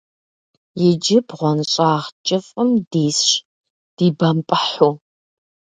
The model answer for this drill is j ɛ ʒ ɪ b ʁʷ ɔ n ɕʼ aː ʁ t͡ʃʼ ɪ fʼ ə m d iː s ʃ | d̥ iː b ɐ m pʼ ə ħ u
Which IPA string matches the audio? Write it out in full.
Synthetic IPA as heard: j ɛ d͡ʒ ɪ b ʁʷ ɔ n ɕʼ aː ʁ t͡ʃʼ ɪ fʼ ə m d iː s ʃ | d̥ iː b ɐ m pʼ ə ħ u